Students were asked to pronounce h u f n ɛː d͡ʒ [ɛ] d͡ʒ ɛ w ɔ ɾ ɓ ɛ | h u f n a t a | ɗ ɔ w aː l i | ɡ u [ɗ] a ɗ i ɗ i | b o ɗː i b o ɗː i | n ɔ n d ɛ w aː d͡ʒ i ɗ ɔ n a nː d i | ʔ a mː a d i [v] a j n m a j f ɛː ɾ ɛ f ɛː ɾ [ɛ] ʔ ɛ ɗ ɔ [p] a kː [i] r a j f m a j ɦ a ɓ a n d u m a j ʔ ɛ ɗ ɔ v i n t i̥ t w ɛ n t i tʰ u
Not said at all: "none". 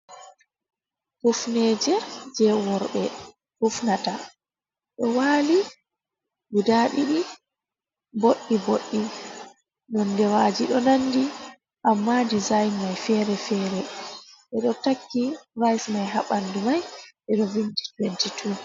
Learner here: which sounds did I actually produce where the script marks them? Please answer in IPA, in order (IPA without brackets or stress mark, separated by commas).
ɛ, d, z, ɛ, t, i